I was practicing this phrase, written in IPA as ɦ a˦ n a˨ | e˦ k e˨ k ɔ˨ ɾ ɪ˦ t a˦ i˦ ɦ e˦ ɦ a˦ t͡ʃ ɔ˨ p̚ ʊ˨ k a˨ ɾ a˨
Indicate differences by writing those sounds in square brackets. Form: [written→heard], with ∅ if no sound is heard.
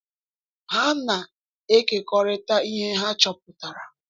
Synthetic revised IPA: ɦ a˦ n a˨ | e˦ k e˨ k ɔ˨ ɾ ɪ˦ t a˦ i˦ ɦ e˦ ɦ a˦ t͡ʃ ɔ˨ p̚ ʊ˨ [k→t] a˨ ɾ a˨